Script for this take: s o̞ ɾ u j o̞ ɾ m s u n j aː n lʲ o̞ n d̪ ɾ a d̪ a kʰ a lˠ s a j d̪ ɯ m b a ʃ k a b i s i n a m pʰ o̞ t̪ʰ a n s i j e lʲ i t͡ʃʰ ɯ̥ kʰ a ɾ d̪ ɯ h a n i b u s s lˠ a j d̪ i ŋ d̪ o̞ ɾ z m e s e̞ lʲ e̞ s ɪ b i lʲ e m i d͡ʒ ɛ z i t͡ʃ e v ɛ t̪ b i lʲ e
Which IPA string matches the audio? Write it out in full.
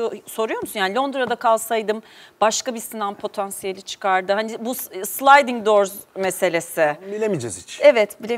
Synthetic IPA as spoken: s o̞ ɾ u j o̞ ɾ m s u n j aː n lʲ o̞ n d̪ ɾ a d̪ a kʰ a lˠ s a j d̪ ɯ m b a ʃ k a b i s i n a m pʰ o̞ t̪ʰ a n s i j e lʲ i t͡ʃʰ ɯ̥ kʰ a ɾ d̪ ɯ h a n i b u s s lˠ a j d̪ i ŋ d̪ o̞ ɾ z m e s e̞ lʲ e̞ s ɪ b i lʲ e m i d͡ʒ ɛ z i t͡ʃ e v ɛ t̪ b i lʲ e